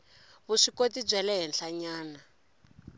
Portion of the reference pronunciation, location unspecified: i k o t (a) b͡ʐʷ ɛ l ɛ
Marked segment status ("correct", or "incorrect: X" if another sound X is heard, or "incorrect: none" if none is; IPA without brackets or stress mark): incorrect: i